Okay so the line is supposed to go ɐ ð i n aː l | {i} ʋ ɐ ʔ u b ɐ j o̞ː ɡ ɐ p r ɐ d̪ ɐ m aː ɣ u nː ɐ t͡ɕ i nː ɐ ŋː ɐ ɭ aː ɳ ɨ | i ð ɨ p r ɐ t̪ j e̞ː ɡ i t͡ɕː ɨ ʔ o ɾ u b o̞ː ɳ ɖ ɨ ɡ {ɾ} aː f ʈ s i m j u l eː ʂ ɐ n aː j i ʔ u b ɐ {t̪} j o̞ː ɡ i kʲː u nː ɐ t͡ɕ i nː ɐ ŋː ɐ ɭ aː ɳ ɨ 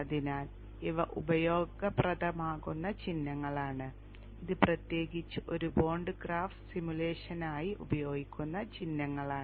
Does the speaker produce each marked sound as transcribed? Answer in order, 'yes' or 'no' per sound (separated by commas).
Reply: yes, no, no